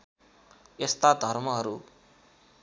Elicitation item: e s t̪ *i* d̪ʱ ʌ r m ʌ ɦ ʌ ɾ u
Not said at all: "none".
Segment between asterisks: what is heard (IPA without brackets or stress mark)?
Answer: a